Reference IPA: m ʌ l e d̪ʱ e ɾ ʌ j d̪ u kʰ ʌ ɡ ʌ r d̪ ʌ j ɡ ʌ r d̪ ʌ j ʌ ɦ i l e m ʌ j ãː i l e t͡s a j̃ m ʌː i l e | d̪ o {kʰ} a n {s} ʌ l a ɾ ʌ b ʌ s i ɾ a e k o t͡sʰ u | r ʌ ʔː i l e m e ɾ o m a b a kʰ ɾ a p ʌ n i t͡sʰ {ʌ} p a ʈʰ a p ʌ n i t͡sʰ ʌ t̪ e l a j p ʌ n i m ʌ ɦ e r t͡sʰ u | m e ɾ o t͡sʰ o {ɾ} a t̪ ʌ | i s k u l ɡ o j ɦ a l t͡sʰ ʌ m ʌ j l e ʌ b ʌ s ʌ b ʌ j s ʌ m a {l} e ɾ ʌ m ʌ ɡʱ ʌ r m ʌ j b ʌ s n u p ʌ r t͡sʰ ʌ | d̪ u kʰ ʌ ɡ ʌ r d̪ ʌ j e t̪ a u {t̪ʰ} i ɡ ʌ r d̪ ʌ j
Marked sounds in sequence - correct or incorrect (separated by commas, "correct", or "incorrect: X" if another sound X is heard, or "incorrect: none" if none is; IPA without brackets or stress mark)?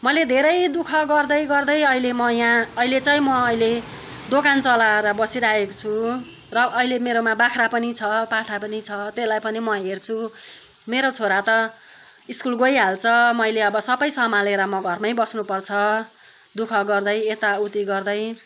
incorrect: k, incorrect: t͡s, correct, correct, correct, incorrect: t̪